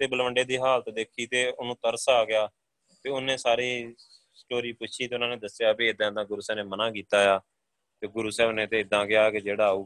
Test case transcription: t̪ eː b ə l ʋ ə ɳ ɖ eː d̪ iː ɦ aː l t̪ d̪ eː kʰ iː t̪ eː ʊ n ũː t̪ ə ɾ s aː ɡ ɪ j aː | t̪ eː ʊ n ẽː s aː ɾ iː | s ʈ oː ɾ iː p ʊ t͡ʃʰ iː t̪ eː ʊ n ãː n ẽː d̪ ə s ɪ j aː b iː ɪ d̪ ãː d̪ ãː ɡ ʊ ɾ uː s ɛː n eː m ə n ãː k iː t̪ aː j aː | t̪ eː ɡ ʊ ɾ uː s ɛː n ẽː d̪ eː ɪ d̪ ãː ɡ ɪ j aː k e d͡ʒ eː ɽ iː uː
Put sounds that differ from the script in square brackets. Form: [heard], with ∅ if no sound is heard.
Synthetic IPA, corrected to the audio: t̪ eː b ə l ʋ ə ɳ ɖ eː d̪ iː ɦ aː l t̪ d̪ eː kʰ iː t̪ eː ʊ n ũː t̪ ə ɾ s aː ɡ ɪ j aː | t̪ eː ʊ n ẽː s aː ɾ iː | s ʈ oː ɾ iː p ʊ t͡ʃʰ iː t̪ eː ʊ n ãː n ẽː d̪ ə s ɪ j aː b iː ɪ d̪ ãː d̪ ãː ɡ ʊ ɾ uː s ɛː n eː m ə n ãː k iː t̪ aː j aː | t̪ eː ɡ ʊ ɾ uː s ɛː n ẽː [t̪] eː ɪ d̪ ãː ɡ ɪ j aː k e d͡ʒ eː ɽ [aː] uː